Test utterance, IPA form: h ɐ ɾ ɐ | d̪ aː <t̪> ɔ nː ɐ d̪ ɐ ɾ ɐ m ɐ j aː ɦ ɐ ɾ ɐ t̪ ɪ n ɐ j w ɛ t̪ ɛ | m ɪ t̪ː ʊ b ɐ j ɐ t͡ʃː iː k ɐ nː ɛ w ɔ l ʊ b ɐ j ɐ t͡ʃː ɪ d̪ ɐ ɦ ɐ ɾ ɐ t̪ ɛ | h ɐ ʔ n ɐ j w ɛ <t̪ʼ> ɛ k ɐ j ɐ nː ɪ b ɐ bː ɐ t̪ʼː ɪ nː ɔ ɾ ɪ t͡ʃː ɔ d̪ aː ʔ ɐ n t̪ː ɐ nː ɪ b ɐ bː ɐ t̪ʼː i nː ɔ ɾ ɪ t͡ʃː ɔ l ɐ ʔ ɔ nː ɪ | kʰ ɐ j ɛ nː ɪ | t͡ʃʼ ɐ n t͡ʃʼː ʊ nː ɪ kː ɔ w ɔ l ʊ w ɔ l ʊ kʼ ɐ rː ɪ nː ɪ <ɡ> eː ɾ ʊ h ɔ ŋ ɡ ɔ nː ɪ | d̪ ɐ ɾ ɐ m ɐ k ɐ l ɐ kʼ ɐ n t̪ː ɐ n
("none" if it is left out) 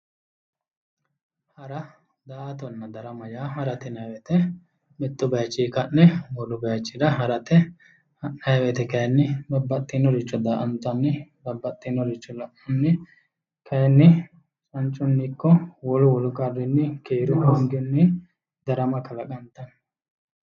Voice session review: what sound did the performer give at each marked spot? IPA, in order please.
t̪, t̪, k

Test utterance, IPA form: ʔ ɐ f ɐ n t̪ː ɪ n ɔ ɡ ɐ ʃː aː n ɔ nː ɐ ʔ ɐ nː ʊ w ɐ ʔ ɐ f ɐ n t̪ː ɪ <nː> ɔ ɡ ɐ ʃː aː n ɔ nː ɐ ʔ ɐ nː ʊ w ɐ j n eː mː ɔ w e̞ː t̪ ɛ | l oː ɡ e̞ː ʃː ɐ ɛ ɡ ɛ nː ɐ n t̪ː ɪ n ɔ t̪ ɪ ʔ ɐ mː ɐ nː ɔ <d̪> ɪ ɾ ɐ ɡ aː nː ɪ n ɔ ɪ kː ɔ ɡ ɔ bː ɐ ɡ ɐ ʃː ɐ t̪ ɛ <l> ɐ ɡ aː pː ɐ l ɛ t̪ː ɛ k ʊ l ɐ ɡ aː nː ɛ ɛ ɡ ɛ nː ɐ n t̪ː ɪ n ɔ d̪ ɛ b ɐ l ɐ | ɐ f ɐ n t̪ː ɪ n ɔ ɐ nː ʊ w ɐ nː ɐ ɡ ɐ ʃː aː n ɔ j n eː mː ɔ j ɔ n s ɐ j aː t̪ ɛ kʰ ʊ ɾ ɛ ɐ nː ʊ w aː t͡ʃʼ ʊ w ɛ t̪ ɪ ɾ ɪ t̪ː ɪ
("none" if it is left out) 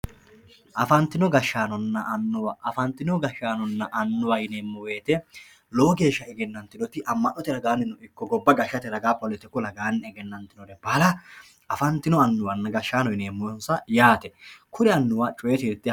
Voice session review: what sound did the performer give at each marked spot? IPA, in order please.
n, t̪, ɾ

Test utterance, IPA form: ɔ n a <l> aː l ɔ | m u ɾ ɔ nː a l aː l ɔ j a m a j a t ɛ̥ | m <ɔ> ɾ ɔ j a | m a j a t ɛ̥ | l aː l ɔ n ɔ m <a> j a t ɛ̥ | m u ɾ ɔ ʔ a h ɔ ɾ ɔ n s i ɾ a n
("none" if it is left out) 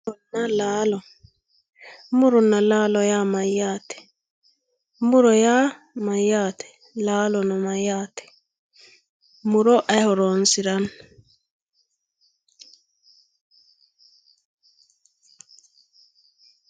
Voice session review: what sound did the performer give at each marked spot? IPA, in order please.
l, u, a

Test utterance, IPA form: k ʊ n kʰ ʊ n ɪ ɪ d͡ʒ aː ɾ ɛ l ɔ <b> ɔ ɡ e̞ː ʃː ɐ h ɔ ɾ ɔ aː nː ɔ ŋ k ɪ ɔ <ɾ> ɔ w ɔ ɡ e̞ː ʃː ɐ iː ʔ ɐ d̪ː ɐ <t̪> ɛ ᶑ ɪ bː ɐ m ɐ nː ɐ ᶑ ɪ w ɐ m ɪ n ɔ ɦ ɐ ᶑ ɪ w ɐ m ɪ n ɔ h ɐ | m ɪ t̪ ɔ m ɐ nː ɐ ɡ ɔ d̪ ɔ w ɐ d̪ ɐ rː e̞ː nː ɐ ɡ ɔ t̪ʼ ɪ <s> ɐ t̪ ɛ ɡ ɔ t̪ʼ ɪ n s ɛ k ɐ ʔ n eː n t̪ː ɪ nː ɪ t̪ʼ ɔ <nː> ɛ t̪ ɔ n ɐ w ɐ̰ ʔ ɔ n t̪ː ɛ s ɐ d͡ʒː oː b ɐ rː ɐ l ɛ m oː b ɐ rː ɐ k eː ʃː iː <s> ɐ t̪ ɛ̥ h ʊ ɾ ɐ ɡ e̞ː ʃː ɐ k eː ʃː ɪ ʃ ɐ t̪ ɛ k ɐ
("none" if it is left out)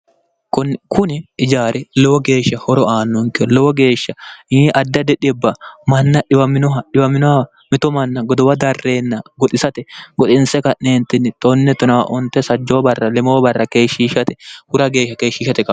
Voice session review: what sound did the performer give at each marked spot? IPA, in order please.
w, l, d̪, s, nː, ʃ

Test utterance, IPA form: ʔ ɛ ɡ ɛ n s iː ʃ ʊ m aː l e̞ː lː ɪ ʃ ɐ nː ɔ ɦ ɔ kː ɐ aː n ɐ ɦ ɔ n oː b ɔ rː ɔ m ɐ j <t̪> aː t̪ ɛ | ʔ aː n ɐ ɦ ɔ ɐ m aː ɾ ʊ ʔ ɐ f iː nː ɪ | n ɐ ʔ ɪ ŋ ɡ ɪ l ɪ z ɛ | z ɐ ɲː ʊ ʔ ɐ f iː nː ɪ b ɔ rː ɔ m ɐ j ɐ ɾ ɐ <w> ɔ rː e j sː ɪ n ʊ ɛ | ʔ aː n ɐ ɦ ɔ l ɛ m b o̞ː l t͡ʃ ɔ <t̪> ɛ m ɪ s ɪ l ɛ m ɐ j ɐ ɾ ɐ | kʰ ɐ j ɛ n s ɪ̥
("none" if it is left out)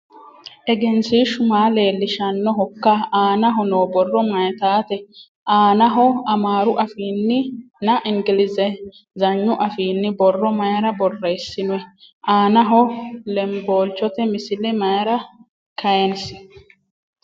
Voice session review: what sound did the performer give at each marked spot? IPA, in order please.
t̪, b, t̪

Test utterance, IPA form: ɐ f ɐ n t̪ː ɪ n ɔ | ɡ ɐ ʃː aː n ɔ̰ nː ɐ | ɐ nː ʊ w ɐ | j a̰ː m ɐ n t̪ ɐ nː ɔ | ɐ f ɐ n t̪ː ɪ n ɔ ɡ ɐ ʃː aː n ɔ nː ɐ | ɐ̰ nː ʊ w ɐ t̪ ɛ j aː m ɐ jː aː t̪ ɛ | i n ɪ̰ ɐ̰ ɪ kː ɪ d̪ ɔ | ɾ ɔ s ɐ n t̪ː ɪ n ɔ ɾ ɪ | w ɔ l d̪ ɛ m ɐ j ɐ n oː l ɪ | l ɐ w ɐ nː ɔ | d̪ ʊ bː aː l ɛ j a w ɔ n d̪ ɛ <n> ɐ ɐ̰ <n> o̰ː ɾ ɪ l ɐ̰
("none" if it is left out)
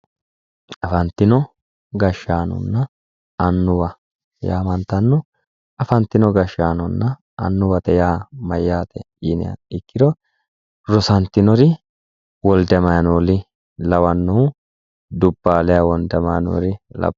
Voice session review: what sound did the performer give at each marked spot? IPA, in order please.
m, n

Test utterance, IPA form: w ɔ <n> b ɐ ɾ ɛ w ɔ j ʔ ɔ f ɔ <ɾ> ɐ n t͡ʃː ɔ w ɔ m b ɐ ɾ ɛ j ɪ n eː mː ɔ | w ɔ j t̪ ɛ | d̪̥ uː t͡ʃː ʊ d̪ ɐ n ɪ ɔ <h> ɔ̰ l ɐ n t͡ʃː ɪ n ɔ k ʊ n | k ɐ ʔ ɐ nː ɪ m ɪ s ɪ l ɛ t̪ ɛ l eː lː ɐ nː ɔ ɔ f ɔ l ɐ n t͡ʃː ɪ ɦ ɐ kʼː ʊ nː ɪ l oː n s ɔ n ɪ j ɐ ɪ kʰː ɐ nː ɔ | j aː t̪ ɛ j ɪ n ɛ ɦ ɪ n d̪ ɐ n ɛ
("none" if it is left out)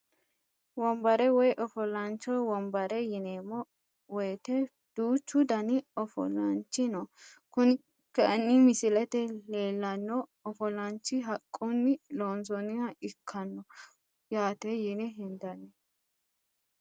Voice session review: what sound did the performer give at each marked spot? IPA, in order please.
m, l, f

